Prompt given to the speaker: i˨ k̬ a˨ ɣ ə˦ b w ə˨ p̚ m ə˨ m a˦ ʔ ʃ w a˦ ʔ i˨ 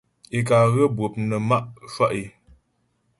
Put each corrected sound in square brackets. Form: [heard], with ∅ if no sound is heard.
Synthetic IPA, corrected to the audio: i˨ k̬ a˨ ɣ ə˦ b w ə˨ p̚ [n] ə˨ m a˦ ʔ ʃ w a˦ ʔ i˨